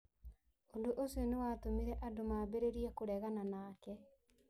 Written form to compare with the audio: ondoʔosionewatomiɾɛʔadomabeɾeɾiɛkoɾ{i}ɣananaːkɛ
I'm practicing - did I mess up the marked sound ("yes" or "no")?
yes